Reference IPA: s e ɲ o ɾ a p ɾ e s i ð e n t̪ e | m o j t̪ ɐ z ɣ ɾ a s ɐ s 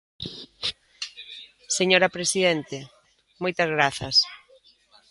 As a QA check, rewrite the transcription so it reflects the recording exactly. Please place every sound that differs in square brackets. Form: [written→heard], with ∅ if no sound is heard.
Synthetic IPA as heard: s e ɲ o ɾ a p ɾ e s i ð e n t̪ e | m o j t̪ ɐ z ɣ ɾ a [s→θ] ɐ s